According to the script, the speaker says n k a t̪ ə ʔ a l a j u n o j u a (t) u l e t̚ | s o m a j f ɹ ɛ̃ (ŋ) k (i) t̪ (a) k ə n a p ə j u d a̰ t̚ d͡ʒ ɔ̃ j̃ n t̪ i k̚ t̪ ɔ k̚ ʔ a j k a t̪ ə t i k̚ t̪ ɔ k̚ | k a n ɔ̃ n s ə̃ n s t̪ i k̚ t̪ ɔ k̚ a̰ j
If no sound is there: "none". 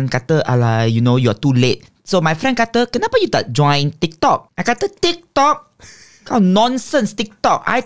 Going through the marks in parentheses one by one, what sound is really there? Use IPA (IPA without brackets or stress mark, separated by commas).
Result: t, n, a, ə